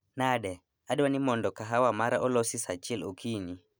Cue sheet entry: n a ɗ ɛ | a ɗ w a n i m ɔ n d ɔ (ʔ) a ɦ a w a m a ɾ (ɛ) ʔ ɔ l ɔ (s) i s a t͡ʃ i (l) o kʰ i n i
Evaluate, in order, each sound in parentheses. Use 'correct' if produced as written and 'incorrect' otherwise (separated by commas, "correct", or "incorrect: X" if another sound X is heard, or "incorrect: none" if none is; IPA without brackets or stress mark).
incorrect: k, incorrect: a, correct, correct